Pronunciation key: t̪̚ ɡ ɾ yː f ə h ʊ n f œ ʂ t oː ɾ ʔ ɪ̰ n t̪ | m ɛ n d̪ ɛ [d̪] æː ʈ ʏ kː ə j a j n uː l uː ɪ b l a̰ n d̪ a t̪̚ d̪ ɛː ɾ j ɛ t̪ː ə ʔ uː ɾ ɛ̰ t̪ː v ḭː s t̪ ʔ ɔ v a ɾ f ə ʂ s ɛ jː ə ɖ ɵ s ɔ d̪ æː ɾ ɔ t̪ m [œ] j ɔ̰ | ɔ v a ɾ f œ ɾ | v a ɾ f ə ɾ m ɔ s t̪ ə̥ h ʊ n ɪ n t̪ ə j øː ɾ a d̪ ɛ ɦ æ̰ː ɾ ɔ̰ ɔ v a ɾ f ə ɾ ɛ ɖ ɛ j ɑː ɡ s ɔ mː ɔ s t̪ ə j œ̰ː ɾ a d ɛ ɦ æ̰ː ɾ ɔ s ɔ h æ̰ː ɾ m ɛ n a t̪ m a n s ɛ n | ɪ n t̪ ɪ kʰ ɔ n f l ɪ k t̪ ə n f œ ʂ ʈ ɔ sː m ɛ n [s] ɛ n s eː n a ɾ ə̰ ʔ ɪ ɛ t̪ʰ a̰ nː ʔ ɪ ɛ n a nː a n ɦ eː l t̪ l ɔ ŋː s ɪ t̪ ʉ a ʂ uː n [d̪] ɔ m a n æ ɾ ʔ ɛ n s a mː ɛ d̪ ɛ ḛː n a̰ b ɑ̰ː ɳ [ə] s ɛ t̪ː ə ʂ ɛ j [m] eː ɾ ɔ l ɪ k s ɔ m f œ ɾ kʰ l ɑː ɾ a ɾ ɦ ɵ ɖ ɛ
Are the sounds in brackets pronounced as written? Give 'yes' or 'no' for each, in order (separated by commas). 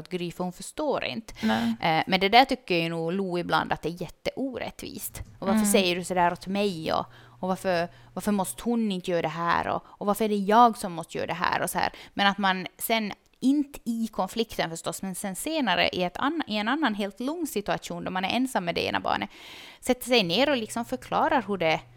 yes, no, yes, yes, yes, no